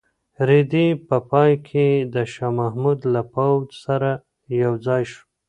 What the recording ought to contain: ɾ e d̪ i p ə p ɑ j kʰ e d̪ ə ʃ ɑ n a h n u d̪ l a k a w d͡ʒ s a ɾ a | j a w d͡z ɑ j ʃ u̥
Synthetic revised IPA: ɾ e d̪ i p ə p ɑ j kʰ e d̪ ə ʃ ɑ m a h m u d̪ l a p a w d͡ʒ s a ɾ a | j a w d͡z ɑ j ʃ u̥